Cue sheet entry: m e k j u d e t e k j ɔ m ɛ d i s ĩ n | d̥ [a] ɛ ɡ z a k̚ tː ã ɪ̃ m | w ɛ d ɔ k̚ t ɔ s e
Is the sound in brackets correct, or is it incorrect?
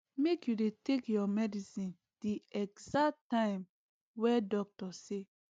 incorrect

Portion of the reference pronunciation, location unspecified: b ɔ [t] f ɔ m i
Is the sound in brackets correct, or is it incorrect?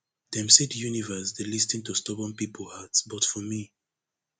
correct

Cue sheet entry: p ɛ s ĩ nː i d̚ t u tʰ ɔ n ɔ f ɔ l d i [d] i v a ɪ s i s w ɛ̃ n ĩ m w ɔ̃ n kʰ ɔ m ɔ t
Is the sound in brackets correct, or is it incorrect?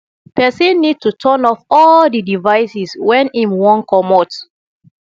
correct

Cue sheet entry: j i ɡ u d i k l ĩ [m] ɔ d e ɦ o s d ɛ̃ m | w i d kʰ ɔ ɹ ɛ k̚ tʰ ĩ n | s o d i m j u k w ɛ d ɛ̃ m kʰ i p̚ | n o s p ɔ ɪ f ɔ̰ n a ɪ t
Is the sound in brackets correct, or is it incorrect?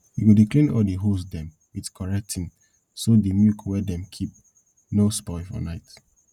incorrect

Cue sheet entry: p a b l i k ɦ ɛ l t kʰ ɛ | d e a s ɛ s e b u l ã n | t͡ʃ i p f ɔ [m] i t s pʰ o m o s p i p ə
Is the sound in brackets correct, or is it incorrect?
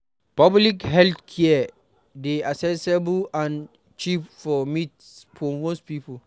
correct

